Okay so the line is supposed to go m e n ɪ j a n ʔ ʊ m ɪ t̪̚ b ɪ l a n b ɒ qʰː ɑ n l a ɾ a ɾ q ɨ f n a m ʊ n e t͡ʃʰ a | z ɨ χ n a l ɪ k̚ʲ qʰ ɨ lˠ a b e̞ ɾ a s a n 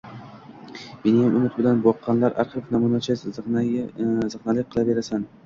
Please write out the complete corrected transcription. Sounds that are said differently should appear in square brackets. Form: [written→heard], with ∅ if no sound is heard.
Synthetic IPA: m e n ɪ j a [n→m] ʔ ʊ m ɪ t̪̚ b ɪ l a n b ɒ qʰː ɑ n l a ɾ a ɾ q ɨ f n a m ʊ n [e→a] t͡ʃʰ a | z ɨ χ n a l ɪ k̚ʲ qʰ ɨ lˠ a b e̞ ɾ a s a n